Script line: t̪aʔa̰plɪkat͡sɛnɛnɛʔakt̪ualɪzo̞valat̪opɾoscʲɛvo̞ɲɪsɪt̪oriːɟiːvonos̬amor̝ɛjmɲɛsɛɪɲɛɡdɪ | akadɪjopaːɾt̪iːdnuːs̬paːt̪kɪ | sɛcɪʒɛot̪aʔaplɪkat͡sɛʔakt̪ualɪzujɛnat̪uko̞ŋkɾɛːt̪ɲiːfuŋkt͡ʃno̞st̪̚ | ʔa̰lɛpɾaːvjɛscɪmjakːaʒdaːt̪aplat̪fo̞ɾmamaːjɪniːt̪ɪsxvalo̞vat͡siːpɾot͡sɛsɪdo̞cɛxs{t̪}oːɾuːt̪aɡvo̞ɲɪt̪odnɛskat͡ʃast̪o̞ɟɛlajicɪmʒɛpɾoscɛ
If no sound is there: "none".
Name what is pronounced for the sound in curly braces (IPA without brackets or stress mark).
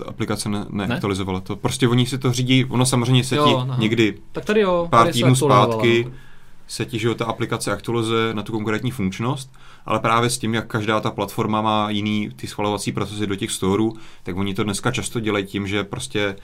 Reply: t̪